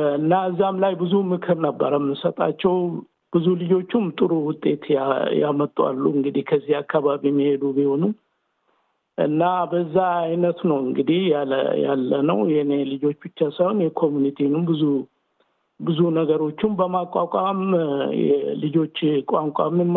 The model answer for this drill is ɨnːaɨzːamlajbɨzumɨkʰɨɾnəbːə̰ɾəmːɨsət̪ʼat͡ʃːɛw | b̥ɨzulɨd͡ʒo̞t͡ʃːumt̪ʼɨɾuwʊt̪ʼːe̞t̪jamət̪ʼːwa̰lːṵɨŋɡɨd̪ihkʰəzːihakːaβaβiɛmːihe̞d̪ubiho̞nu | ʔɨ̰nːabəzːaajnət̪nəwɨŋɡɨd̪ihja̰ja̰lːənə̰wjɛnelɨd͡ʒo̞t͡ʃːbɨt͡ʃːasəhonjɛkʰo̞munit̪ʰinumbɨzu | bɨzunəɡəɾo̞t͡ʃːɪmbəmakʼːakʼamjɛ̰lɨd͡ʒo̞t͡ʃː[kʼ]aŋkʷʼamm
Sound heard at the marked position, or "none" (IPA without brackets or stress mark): kʼ